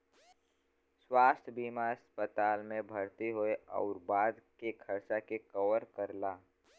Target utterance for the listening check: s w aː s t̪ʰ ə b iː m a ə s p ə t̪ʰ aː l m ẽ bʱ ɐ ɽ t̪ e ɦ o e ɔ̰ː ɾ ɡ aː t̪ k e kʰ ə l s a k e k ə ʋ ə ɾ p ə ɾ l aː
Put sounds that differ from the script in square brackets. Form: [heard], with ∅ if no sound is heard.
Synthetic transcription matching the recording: s w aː s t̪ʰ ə b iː m a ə s p ə [t̪] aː l m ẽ bʱ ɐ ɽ t̪ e ɦ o e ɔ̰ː ɾ [b] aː [d̪] k e kʰ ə [ɾ] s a k e k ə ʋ ə ɾ [k] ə ɾ l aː

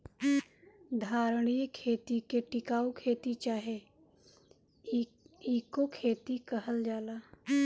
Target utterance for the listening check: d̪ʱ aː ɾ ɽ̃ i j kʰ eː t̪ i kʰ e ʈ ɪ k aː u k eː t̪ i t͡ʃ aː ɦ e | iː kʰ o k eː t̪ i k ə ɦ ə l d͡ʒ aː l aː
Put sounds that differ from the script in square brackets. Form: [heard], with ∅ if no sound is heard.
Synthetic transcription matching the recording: d̪ʱ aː ɾ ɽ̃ i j kʰ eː t̪ i [k] e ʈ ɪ k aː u [kʰ] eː t̪ i t͡ʃ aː ɦ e | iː [k] o [kʰ] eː t̪ i k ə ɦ ə l d͡ʒ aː l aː

